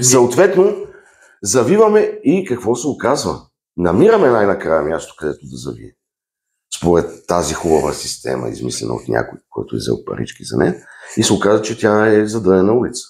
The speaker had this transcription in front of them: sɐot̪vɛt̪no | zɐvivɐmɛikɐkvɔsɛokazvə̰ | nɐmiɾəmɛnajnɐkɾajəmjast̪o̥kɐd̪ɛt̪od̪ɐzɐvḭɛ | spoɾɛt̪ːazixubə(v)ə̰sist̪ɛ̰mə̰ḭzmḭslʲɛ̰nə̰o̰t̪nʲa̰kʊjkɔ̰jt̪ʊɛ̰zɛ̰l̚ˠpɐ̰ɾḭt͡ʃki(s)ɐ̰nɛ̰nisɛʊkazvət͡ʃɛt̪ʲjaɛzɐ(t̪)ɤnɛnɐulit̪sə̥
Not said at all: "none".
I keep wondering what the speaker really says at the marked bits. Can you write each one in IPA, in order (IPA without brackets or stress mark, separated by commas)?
v, z, d̪